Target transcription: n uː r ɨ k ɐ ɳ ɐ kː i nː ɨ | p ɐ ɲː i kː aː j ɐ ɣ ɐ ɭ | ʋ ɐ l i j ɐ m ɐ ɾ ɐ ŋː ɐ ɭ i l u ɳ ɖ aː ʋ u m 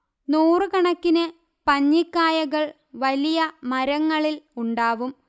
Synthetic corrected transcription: n uː r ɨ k ɐ ɳ ɐ kː i n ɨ | p ɐ ɲː i kː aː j ɐ ɣ ɐ ɭ | ʋ ɐ l i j ɐ m ɐ ɾ ɐ ŋː ɐ ɭ i l u ɳ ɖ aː ʋ u m